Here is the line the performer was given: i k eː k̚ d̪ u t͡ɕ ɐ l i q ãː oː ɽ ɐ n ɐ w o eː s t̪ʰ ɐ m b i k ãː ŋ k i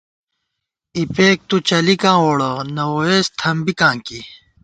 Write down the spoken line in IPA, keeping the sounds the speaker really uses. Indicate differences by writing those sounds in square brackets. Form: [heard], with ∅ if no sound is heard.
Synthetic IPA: i [p] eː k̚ [t̪] u t͡ɕ ɐ l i [k] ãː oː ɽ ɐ n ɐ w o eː s t̪ʰ ɐ m b i k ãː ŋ k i